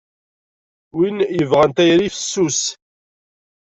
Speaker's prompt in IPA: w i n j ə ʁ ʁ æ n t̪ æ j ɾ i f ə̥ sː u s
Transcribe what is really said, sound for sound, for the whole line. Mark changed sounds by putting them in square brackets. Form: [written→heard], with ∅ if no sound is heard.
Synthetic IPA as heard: w i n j ə [ʁ→v] ʁ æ n t̪ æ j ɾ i f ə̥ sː u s